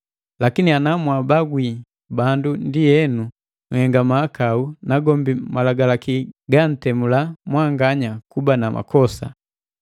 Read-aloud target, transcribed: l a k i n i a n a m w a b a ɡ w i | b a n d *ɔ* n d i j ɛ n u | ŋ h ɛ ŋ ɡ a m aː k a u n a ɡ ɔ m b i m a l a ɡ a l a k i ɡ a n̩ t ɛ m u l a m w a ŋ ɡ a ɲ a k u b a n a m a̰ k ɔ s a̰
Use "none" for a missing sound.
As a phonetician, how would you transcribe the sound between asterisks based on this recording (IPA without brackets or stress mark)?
u